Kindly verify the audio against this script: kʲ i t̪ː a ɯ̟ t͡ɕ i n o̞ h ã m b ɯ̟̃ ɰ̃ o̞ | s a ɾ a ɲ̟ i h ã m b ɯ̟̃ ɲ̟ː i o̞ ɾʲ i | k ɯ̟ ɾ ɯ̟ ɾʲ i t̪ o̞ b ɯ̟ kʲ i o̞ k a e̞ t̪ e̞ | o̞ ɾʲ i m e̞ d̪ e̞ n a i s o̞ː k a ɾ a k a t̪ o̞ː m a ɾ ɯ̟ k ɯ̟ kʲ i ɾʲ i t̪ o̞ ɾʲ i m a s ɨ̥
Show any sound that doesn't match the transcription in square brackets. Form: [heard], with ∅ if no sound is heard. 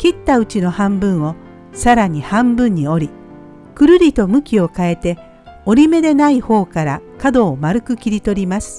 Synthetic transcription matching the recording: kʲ i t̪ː a ɯ̟ t͡ɕ i n o̞ h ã m b ɯ̟̃ ɰ̃ o̞ | s a ɾ a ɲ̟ i h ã m b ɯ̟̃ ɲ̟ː i o̞ ɾʲ i | k ɯ̟ ɾ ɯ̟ ɾʲ i t̪ o̞ [m] ɯ̟ kʲ i o̞ k a e̞ t̪ e̞ | o̞ ɾʲ i m e̞ d̪ e̞ n a i [h] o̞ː k a ɾ a k a [d̪] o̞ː m a ɾ ɯ̟ k ɯ̟ kʲ i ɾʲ i t̪ o̞ ɾʲ i m a s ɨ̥

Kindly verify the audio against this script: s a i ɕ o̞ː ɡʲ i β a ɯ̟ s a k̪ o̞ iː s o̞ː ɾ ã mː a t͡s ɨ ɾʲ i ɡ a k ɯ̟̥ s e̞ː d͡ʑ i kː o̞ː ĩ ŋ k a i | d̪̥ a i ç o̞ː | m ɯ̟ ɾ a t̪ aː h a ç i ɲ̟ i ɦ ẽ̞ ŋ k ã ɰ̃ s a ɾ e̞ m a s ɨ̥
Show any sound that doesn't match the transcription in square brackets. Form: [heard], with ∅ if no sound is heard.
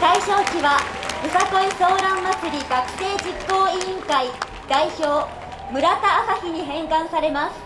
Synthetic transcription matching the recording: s a i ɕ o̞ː [kʲ] i β a ɯ̟ s a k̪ o̞ [i] s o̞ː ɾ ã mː a t͡s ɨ ɾʲ i ɡ a k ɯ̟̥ s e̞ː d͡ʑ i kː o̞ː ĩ ŋ k a i | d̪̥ a i ç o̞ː | m ɯ̟ ɾ a t̪ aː [s] a ç i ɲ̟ i ɦ ẽ̞ ŋ k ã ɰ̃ s a ɾ e̞ m a s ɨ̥

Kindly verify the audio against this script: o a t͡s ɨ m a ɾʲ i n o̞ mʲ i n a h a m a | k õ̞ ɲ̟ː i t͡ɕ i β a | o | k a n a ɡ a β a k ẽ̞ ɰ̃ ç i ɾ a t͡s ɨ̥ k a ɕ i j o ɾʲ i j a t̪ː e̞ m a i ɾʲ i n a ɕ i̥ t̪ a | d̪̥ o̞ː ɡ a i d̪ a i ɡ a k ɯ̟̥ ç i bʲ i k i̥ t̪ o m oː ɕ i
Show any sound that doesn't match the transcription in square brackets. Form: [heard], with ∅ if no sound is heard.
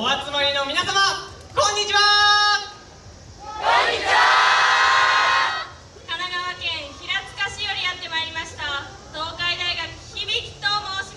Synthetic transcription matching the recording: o a t͡s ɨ m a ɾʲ i n o̞ mʲ i n a [s] a m a | k õ̞ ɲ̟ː i t͡ɕ i β a | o | k a n a ɡ a β a k ẽ̞ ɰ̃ ç i ɾ a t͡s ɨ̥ k a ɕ i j o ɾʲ i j a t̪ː e̞ m a i ɾʲ i [m] a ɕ i̥ t̪ a | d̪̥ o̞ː [k] a i d̪ a i ɡ a k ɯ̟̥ ç i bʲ i k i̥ t̪ o m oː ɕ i

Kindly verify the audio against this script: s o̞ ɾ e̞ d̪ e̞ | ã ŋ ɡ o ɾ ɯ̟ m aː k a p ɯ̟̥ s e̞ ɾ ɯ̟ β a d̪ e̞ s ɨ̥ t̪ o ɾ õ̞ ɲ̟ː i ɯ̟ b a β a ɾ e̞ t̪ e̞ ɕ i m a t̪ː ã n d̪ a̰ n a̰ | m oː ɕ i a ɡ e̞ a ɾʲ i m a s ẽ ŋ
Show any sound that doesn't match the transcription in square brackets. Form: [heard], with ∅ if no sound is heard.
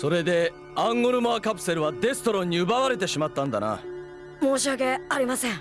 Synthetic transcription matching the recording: s o̞ ɾ e̞ d̪ e̞ | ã ŋ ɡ o ɾ ɯ̟ m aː k a p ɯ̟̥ s e̞ ɾ ɯ̟ β a d̪ e̞ s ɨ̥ t̪ o ɾ õ̞ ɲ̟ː i ɯ̟ b a β a ɾ e̞ t̪ e̞ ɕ i m a t̪ː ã n d̪ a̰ n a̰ | m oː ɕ i a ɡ e̞ a ɾʲ i m a s ẽ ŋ

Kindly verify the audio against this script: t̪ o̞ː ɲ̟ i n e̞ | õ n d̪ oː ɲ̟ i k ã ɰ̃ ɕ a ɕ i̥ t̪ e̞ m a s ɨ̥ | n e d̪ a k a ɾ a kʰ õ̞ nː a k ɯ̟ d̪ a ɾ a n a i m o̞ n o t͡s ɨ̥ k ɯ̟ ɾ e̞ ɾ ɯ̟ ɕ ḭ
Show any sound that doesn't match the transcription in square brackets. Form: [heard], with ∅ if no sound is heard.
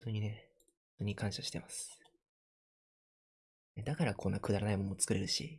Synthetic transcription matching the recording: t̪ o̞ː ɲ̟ i n e̞ | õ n [t̪] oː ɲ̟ i k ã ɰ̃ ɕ a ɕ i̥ t̪ e̞ m a s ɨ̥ | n e d̪ a k a ɾ a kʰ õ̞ nː a k ɯ̟ d̪ a ɾ a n a i m o̞ n o t͡s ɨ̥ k ɯ̟ ɾ e̞ ɾ ɯ̟ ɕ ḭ

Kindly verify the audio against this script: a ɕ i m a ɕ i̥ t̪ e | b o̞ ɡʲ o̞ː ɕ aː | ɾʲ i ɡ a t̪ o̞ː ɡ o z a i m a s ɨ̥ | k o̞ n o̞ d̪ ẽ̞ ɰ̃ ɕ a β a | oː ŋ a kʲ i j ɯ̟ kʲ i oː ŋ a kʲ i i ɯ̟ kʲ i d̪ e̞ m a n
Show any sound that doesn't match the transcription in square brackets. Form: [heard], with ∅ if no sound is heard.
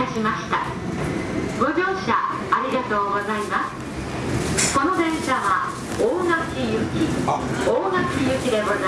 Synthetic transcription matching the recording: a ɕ i m a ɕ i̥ t̪ [a] | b o̞ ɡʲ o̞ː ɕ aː | ɾʲ i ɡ a t̪ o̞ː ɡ o z a i m a s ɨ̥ | k o̞ n o̞ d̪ ẽ̞ ɰ̃ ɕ a β a | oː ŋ a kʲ i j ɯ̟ kʲ i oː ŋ a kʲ i [j] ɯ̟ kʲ i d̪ e̞ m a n

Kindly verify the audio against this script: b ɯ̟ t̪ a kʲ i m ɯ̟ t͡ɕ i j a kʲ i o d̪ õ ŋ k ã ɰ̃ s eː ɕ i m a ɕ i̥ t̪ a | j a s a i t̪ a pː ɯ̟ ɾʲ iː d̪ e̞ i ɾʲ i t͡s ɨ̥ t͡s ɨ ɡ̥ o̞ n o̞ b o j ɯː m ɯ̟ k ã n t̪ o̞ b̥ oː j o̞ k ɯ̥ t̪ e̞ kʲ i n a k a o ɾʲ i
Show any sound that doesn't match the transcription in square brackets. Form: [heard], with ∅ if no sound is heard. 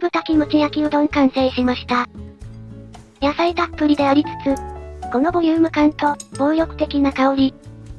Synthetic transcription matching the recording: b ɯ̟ t̪ a kʲ i m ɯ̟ t͡ɕ i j a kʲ i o d̪ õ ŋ k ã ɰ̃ s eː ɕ i m a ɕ i̥ t̪ a | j a s a i t̪ a pː ɯ̟ ɾʲ [i] d̪ e̞ [a] ɾʲ i t͡s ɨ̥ t͡s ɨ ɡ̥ o̞ n o̞ b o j ɯː m ɯ̟ k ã n t̪ o̞ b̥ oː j o̞ k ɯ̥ t̪ e̞ kʲ i n a k a o ɾʲ i

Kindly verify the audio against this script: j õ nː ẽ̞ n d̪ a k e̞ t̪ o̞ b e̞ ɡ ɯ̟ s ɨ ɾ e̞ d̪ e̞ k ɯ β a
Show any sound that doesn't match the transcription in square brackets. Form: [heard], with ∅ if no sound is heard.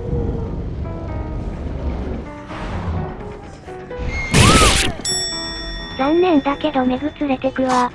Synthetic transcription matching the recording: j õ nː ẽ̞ n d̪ a k e̞ [d̪] o̞ [m] e̞ ɡ ɯ̟ [t͡s] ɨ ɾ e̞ [t̪] e̞ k ɯ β a

